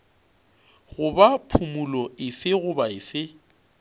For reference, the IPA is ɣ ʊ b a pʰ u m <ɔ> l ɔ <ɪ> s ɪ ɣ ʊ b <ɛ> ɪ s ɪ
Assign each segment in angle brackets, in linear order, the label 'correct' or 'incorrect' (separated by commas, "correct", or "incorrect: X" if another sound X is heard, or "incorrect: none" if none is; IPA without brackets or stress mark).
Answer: incorrect: u, correct, incorrect: a